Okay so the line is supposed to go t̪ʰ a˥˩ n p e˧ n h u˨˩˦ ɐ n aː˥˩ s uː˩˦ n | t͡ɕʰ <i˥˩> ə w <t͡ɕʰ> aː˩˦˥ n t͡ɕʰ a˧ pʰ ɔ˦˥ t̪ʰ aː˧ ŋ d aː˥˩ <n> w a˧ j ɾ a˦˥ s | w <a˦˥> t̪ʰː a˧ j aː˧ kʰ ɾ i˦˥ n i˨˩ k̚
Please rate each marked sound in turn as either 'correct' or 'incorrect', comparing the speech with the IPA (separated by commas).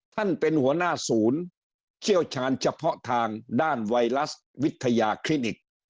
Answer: correct, correct, correct, incorrect